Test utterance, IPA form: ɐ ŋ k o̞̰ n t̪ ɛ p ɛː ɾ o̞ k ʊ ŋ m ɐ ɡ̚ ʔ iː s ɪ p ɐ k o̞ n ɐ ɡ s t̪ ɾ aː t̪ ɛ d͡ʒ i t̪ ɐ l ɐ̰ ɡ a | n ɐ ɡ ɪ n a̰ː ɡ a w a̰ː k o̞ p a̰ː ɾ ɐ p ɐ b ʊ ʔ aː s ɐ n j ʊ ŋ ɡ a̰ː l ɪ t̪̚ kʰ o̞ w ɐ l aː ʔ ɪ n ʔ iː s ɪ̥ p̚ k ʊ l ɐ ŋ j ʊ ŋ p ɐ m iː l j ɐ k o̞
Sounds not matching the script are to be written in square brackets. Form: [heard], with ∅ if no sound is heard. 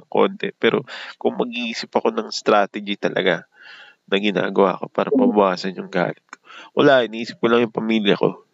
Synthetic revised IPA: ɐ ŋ k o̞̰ n t̪ ɛ p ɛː ɾ o̞ k ʊ ŋ m ɐ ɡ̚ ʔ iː s ɪ p ɐ k o̞ n ɐ [ŋ] s t̪ ɾ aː t̪ ɛ d͡ʒ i t̪ ɐ l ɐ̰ ɡ a | n ɐ ɡ ɪ n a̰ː ɡ [ɐ] w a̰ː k o̞ p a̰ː ɾ ɐ p ɐ b ʊ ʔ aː s ɐ n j ʊ ŋ ɡ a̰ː l ɪ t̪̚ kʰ o̞ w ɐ l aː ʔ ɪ n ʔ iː s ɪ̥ p̚ k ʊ l ɐ ŋ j ʊ ŋ p ɐ m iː l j ɐ k o̞